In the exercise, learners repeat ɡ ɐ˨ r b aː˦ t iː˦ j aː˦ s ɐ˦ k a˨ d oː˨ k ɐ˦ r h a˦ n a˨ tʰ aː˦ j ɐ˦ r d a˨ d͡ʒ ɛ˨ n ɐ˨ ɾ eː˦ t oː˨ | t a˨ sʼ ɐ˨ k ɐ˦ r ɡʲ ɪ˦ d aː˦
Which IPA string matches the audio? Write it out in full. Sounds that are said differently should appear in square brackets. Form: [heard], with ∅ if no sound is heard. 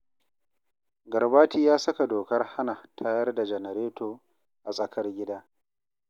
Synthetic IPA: ɡ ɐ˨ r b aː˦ t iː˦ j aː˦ s ɐ˦ k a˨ d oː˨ k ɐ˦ r h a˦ n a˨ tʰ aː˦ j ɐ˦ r d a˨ d͡ʒ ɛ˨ n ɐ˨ ɾ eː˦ t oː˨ | [ʔ] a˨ sʼ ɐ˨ k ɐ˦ r ɡʲ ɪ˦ d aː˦